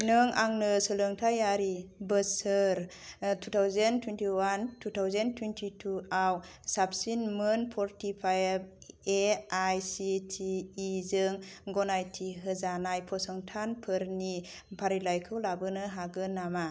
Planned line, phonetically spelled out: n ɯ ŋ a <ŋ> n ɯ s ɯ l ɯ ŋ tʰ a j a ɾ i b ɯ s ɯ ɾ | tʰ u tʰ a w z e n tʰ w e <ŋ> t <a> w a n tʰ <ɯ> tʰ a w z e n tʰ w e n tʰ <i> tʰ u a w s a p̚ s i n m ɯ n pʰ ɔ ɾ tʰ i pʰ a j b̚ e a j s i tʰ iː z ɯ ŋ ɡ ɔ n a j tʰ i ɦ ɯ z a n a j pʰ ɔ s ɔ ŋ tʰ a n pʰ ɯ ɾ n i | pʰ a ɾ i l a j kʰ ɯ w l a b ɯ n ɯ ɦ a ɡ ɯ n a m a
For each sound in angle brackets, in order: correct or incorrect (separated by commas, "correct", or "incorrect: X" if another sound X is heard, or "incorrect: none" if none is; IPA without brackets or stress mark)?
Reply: correct, incorrect: n, incorrect: i, incorrect: u, correct